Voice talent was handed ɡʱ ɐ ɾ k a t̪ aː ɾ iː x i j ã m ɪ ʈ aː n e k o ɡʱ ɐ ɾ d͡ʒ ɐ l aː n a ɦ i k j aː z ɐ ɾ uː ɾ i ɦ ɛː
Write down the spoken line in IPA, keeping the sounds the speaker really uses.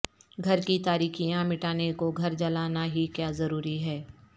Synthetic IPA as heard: ɡʱ ɐ ɾ k i t̪ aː ɾ iː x i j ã m ɪ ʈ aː n e k o ɡʱ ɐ ɾ d͡ʒ ɐ l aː n a ɦ i k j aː z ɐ ɾ uː ɾ i ɦ ɛː